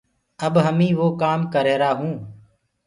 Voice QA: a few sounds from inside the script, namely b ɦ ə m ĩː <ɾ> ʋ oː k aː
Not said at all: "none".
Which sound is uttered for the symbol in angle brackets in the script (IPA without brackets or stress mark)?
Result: none